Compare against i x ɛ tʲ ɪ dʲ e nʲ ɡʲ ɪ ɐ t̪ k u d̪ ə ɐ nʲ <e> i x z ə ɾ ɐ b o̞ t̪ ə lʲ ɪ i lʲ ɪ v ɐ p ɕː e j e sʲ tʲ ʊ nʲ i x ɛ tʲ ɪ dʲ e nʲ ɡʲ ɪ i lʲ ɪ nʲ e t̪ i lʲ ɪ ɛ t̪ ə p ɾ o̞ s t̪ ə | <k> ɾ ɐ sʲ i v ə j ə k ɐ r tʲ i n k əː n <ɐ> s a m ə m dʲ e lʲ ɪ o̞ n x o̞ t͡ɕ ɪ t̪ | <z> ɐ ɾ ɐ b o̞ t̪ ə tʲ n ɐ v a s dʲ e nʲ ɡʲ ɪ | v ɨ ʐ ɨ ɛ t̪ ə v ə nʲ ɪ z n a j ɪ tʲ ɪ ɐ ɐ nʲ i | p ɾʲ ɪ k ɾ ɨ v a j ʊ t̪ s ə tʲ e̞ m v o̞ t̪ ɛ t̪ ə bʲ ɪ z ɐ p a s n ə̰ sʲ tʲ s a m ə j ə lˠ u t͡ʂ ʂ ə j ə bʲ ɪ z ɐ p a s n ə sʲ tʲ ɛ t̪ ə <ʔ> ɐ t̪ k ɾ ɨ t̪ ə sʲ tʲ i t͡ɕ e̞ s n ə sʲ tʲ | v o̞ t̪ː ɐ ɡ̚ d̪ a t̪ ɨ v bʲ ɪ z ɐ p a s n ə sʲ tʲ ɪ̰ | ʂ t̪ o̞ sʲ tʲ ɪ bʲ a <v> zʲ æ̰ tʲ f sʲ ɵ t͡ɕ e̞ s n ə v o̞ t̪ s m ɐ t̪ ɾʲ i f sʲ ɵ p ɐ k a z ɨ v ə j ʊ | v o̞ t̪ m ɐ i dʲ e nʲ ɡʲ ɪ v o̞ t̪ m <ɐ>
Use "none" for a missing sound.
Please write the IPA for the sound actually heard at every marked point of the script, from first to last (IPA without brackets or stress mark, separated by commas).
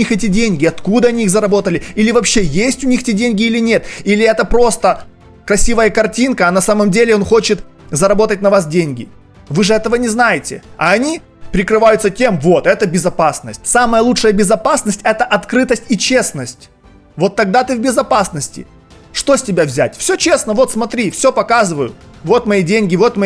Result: i, k, ɐ, z, ʔ, v, ɐ